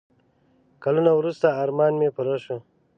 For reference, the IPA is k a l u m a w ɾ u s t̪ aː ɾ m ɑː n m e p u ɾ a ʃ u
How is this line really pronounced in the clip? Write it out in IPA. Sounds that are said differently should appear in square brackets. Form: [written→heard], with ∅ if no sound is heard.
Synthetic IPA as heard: k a l u [m→n] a w ɾ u s t̪ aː ɾ m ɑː n m e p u ɾ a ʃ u